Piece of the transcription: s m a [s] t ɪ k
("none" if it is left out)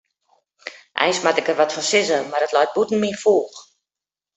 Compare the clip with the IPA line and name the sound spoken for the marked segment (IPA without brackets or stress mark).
none